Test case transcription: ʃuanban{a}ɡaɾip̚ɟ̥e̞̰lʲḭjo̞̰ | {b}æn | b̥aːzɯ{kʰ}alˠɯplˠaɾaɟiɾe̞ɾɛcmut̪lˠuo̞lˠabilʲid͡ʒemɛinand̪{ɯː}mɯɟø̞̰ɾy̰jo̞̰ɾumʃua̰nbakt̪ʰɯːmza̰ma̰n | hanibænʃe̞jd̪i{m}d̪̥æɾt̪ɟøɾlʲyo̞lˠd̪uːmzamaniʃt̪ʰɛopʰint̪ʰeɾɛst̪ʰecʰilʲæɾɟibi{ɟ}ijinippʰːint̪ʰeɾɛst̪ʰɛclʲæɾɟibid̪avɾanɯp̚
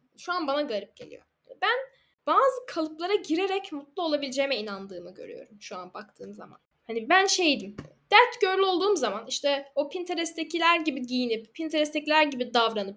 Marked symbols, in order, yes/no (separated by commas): yes, yes, yes, yes, yes, yes